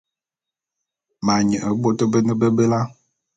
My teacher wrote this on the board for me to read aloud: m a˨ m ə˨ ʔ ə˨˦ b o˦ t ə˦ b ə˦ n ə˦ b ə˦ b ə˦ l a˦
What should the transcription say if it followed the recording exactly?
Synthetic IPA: m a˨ ɲ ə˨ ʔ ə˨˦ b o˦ t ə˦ b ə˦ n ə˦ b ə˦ b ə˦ l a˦